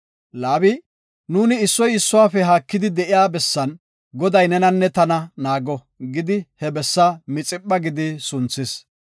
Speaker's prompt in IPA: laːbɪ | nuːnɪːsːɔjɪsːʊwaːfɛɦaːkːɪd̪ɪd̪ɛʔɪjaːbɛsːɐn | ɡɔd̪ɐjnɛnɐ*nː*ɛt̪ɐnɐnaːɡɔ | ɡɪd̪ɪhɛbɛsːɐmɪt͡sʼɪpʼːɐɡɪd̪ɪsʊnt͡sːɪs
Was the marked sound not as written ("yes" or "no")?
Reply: no